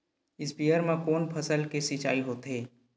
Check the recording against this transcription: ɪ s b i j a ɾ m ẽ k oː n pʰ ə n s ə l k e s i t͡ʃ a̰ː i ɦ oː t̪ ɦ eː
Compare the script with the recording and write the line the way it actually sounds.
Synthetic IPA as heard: ɪ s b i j ə ɾ m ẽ k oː n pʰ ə s ə l k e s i t͡ʃ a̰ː i ɦ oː t̪ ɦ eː